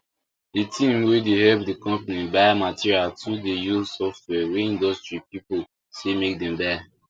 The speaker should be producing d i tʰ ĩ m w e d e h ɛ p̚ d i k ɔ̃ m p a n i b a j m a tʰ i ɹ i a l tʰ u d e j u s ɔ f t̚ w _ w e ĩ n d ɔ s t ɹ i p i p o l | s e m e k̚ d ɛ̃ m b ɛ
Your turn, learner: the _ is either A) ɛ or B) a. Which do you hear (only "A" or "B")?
A